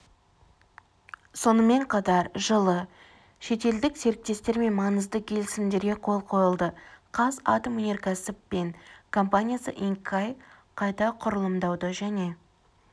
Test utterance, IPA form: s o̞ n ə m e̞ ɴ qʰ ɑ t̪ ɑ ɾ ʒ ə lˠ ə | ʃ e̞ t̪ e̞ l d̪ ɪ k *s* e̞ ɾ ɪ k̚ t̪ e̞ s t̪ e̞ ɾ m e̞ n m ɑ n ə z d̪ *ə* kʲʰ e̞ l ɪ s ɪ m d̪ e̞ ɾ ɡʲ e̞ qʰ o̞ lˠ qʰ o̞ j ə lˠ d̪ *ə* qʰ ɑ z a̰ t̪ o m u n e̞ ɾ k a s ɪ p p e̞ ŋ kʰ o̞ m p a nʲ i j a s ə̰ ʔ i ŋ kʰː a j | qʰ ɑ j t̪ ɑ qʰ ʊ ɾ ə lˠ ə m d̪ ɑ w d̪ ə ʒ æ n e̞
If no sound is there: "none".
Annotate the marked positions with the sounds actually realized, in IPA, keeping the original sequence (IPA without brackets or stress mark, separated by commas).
s, ə, ə